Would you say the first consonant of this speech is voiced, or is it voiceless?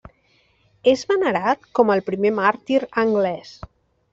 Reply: voiced